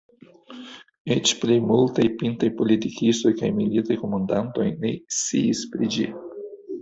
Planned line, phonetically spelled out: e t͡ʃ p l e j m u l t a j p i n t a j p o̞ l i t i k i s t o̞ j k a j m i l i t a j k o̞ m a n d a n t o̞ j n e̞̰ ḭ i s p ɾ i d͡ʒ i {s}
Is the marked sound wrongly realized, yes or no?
yes